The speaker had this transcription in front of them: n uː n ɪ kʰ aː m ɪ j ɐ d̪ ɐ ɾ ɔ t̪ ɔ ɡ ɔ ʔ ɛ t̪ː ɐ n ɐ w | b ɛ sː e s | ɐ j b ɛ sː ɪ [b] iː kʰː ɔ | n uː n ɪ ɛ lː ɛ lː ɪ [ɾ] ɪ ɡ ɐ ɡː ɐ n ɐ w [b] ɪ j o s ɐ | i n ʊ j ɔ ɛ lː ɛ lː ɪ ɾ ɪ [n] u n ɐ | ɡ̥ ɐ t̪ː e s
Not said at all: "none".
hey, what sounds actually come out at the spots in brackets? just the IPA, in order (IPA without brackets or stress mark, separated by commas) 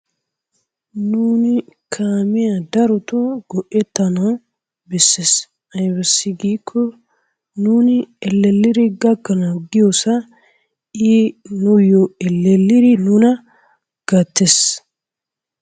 ɡ, ɾ, ɡ, n